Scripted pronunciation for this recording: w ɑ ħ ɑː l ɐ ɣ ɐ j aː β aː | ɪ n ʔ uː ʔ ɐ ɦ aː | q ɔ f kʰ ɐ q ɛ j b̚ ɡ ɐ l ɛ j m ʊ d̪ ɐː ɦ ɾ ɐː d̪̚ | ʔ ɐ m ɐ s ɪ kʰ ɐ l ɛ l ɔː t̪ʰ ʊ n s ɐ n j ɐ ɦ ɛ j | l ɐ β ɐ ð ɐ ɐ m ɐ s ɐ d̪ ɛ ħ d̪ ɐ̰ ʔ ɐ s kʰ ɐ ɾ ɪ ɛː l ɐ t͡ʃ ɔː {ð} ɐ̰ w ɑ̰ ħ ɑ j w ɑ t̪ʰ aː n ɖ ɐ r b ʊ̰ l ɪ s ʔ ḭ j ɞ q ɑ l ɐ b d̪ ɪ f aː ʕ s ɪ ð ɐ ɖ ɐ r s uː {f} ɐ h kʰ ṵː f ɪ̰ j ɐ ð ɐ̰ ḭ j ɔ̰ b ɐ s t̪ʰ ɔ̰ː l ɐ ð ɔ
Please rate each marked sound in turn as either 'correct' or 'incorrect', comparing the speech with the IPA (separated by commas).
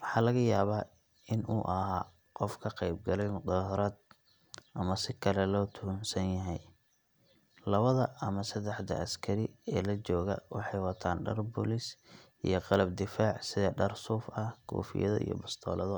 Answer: incorrect, correct